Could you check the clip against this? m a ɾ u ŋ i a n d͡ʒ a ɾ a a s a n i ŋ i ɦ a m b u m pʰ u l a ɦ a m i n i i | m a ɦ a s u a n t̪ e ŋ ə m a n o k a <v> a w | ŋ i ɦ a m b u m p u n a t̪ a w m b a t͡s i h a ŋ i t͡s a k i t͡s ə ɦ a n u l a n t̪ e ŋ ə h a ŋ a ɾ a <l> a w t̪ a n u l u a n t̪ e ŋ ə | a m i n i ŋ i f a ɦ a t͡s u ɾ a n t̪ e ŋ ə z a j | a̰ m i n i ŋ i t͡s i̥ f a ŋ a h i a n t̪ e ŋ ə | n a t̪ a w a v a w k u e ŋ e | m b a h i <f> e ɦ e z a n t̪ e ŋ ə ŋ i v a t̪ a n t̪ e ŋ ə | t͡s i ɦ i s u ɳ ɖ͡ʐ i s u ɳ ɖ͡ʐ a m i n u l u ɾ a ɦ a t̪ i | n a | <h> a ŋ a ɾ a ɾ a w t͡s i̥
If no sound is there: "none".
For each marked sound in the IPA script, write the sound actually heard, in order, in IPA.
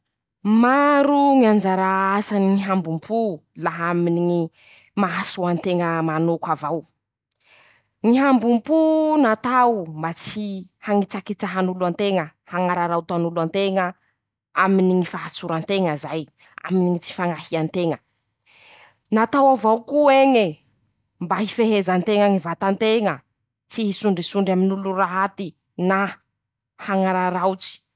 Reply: v, ɾ, f, h

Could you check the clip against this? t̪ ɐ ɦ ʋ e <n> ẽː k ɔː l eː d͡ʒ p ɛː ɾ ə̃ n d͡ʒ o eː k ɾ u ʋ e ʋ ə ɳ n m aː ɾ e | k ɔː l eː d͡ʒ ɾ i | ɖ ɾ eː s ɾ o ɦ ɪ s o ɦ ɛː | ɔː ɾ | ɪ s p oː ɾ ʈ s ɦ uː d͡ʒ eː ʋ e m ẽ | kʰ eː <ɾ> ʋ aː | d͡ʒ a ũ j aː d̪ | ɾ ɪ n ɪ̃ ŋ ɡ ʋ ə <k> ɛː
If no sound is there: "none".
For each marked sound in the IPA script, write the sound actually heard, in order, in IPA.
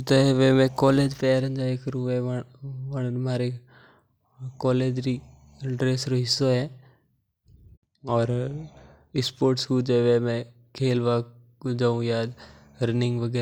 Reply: m, l, ɡ

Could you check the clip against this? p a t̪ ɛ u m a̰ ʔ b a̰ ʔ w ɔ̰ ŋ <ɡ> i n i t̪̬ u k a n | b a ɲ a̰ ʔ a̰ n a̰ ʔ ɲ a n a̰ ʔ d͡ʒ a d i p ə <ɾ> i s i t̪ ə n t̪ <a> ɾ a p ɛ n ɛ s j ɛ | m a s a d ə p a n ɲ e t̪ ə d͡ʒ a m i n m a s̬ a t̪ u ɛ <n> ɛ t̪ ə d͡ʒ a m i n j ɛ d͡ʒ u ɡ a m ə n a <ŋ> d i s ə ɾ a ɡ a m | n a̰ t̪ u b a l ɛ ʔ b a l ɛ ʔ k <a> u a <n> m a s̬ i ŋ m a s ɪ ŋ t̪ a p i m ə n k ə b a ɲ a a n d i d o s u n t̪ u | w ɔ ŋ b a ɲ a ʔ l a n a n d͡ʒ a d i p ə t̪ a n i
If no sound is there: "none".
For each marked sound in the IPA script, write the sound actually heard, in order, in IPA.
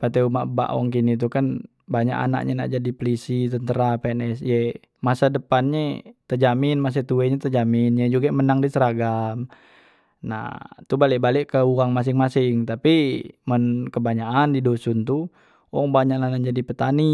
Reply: k, l, ə, ɲ, ŋ, ə, ŋ

